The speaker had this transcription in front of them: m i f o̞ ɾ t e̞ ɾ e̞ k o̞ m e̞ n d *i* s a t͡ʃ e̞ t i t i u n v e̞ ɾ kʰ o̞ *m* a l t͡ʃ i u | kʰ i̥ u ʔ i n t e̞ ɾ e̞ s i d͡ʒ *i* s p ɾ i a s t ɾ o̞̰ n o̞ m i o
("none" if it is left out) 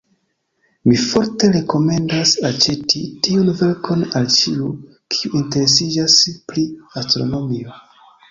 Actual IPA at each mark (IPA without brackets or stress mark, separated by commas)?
a, n, a